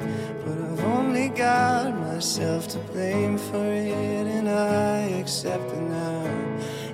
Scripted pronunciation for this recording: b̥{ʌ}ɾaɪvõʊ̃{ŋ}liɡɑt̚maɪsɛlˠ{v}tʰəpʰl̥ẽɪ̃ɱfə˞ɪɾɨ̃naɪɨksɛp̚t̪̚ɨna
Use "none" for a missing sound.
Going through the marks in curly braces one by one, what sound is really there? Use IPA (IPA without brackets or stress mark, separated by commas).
ʌ, n, f